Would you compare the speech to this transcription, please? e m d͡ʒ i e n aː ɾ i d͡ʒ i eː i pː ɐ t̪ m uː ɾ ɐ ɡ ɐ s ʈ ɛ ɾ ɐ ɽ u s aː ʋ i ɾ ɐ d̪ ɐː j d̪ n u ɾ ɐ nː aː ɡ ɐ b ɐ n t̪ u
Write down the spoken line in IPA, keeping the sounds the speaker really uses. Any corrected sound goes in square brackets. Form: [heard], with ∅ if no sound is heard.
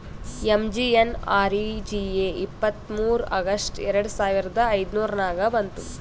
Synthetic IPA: e m d͡ʒ i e n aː ɾ i d͡ʒ i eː i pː ɐ t̪ m uː ɾ ɐ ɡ ɐ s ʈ ɛ ɾ ɐ ɽ u s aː ʋ i ɾ ɐ d̪ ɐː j d̪ n [uː] ɾ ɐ [n] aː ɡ ɐ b ɐ n t̪ u